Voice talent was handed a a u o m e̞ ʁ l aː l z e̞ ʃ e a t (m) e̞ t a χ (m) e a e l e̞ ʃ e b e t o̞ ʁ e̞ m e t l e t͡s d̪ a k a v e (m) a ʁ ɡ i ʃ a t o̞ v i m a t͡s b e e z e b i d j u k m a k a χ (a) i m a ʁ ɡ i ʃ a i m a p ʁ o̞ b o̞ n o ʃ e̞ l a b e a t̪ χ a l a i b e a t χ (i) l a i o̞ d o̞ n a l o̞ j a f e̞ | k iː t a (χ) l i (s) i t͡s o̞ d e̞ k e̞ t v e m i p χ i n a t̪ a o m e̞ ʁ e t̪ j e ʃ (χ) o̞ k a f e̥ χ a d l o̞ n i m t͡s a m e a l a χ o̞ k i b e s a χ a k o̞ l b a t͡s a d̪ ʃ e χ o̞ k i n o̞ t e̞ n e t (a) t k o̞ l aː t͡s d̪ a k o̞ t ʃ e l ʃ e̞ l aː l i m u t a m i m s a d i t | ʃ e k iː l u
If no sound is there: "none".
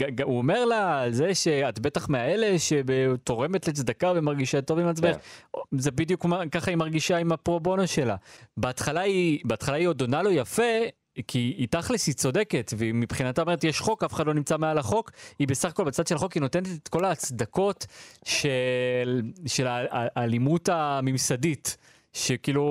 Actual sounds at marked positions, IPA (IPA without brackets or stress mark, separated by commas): b, m, m, a, a, χ, s, χ, e